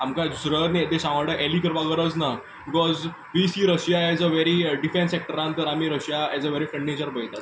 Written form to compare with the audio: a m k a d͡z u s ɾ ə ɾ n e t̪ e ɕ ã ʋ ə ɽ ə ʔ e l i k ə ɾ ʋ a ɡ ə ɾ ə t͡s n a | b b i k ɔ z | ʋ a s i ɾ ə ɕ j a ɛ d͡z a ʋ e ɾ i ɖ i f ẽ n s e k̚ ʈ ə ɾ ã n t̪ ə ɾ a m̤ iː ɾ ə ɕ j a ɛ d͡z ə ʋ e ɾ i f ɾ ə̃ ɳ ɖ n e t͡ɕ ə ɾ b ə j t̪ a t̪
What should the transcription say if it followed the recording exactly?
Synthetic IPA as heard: a m k a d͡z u s ɾ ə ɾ n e t̪ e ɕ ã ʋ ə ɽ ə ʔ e l i k ə ɾ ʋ a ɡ ə ɾ ə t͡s n a | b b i k ɔ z | ʋ i s i ɾ ə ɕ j a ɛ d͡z ə ʋ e ɾ i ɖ i f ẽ n s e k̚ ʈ ə ɾ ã n t̪ ə ɾ a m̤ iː ɾ ə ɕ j a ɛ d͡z ə ʋ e ɾ i f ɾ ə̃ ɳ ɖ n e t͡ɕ ə ɾ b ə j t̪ a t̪